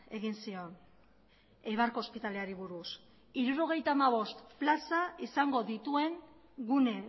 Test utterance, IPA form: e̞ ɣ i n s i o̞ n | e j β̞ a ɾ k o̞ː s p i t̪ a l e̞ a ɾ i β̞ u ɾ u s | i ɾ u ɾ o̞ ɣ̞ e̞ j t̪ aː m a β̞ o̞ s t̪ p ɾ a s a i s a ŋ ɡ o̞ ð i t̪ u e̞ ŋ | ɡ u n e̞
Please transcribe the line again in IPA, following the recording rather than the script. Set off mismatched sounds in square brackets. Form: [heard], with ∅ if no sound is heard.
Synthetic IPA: e̞ ɣ i n s i o̞ n | e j β̞ a ɾ k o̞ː s p i t̪ a l e̞ a ɾ i β̞ u ɾ u s | i ɾ u ɾ o̞ ɣ̞ e̞ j t̪ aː m a β̞ o̞ s t̪ p [l] a s a i s a ŋ ɡ o̞ ð i t̪ u e̞ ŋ | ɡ u n e̞